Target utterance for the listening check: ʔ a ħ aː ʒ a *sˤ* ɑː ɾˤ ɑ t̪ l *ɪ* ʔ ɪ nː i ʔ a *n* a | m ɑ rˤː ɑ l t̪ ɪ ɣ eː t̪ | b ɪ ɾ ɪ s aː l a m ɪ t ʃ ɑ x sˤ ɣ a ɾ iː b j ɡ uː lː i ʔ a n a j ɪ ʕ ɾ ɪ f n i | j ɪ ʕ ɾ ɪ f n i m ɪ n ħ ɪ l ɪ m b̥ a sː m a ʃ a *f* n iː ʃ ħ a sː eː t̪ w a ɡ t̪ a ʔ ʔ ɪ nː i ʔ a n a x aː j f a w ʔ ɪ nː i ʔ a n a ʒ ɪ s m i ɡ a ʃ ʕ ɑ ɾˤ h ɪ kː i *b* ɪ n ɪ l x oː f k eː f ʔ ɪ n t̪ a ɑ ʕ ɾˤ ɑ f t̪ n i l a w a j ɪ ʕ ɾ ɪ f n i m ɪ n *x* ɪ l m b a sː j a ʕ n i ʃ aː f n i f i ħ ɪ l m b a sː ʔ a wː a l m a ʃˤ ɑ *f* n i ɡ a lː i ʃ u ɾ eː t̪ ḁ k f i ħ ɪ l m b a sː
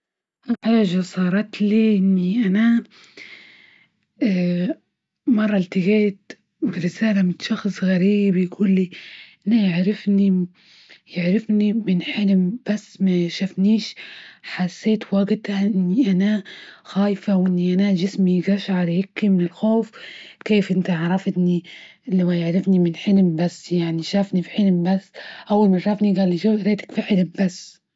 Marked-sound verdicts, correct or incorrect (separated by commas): correct, incorrect, correct, correct, incorrect, incorrect, correct